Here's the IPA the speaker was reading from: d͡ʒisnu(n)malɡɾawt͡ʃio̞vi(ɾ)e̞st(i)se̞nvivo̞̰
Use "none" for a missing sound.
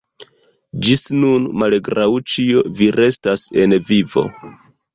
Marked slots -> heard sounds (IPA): n, ɾ, a

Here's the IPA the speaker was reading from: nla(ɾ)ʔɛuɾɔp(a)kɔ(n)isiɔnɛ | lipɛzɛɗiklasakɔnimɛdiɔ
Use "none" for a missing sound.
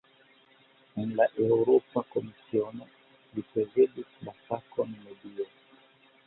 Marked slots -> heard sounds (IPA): none, a, m

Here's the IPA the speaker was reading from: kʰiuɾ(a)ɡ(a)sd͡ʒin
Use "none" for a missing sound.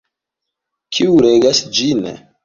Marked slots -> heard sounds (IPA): e, a

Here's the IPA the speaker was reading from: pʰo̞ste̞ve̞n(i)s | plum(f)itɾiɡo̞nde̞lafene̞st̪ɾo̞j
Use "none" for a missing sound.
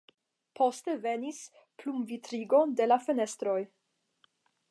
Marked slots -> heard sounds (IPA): i, v

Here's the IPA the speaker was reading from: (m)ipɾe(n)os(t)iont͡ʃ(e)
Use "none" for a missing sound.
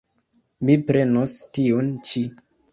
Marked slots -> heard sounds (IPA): m, n, t, i

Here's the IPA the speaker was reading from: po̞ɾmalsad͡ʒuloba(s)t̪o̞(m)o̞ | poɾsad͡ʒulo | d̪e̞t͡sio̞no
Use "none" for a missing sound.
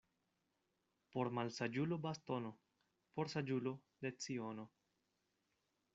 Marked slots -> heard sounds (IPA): s, n

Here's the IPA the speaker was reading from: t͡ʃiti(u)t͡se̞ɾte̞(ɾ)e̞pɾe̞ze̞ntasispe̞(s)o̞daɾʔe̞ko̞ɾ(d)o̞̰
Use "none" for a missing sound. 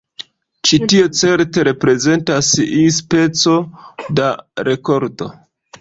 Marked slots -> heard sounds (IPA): o, ɾ, t͡s, d

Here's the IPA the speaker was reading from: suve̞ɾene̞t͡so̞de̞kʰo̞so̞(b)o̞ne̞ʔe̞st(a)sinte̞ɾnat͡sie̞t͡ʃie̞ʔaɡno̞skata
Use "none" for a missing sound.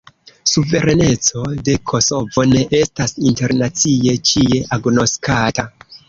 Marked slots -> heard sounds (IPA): v, a

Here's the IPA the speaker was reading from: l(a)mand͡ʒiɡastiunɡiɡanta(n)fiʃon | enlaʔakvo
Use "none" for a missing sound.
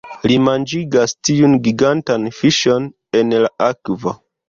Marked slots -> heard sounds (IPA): i, n

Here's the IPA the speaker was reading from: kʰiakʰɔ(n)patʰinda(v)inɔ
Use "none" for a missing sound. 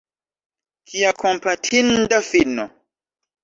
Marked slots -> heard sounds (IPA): m, f

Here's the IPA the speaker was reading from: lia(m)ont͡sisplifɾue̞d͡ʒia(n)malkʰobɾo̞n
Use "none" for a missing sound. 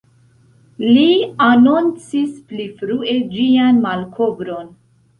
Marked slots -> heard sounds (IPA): n, n

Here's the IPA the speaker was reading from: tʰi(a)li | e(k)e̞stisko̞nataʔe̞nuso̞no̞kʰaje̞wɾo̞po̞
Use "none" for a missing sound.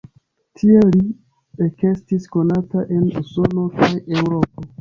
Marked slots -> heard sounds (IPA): e, k

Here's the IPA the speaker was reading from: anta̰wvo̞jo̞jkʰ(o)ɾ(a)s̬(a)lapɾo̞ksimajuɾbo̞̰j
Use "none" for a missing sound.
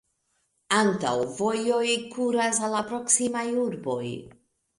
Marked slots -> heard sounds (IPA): u, a, a

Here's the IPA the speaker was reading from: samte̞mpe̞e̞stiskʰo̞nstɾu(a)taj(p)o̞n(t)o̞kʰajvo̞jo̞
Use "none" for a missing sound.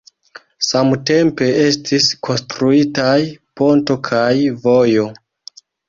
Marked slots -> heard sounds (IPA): i, p, t

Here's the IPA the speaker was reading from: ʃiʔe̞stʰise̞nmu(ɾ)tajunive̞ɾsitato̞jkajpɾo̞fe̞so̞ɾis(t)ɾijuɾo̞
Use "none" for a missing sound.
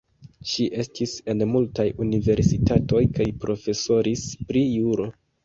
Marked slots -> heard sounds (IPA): l, p

